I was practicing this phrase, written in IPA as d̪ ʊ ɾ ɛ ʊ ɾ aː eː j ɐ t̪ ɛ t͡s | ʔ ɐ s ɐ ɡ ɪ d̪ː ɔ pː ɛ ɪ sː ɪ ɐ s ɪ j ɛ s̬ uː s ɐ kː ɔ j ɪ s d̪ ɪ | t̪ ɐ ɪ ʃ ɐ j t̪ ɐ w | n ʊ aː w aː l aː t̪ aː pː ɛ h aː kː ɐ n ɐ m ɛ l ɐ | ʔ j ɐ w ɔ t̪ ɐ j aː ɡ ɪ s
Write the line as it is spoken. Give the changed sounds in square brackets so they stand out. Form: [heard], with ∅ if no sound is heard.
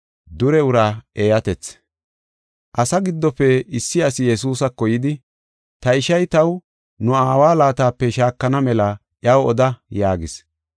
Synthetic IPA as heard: d̪ ʊ ɾ ɛ ʊ ɾ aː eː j ɐ t̪ ɛ t͡s | ʔ ɐ s ɐ ɡ ɪ d̪ː ɔ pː ɛ ɪ sː ɪ ɐ s ɪ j ɛ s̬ uː s ɐ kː ɔ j ɪ [∅] d̪ ɪ | t̪ ɐ ɪ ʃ ɐ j t̪ ɐ w | n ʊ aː w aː l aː t̪ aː pː ɛ [ʃ] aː kː ɐ n ɐ m ɛ l ɐ | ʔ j ɐ w ɔ [d̪] ɐ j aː ɡ ɪ s

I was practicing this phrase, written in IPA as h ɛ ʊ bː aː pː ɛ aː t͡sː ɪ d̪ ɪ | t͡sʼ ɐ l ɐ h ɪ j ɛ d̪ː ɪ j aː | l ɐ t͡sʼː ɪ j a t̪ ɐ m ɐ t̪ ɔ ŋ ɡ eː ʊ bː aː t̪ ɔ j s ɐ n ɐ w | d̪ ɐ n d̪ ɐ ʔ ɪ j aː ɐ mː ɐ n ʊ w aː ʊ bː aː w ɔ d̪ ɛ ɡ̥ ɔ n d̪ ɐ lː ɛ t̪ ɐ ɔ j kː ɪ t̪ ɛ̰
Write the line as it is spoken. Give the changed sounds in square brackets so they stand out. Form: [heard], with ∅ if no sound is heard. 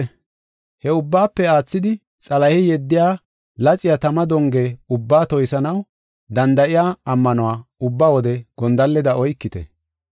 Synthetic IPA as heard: h ɛ ʊ bː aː pː ɛ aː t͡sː ɪ d̪ ɪ | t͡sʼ ɐ l ɐ h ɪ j ɛ d̪ː ɪ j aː | l ɐ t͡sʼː ɪ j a t̪ ɐ m ɐ [d̪] ɔ ŋ ɡ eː ʊ bː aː t̪ ɔ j s ɐ n ɐ w | d̪ ɐ n d̪ ɐ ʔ ɪ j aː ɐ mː ɐ n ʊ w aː ʊ bː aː w ɔ d̪ ɛ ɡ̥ ɔ n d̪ ɐ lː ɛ [d̪] ɐ ɔ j kː ɪ t̪ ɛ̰

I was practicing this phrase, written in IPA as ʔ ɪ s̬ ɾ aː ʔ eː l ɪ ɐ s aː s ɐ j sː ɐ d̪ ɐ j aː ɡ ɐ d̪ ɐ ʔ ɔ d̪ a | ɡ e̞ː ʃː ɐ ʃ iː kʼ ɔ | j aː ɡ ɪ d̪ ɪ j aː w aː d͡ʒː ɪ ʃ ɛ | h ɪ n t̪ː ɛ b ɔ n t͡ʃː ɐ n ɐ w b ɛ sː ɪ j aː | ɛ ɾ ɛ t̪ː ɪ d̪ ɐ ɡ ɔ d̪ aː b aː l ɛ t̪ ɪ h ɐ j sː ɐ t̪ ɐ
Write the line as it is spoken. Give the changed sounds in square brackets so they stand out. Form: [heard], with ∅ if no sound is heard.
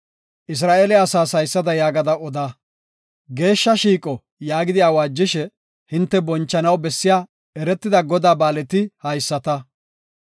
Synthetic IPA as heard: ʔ ɪ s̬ ɾ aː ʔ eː l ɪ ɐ s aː s ɐ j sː ɐ d̪ ɐ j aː ɡ ɐ d̪ ɐ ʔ ɔ d̪ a | ɡ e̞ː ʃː ɐ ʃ iː kʼ ɔ | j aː ɡ ɪ d̪ ɪ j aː w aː d͡ʒː ɪ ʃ ɛ | h ɪ n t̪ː ɛ b ɔ n t͡ʃː ɐ n ɐ w b ɛ sː ɪ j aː | ɛ ɾ ɛ t̪ː ɪ d̪ ɐ ɡ ɔ d̪ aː b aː l ɛ t̪ ɪ h ɐ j sː ɐ t̪ ɐ

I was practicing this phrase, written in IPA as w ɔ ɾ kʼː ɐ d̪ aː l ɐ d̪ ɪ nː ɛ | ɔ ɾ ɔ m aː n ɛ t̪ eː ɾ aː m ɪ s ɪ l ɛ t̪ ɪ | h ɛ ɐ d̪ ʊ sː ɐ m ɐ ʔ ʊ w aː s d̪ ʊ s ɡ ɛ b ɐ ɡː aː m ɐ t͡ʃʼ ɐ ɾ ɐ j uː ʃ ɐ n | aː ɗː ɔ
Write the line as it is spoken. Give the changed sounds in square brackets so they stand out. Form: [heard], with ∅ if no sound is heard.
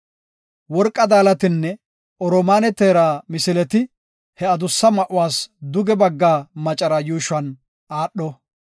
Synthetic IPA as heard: w ɔ ɾ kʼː ɐ d̪ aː l ɐ [t̪] ɪ nː ɛ | ɔ ɾ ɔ m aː n ɛ t̪ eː ɾ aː m ɪ s ɪ l ɛ t̪ ɪ | h ɛ ɐ d̪ ʊ sː ɐ m ɐ ʔ ʊ w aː s d̪ ʊ [∅] ɡ ɛ b ɐ ɡː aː m ɐ t͡ʃʼ ɐ ɾ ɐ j uː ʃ ɐ n | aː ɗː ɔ

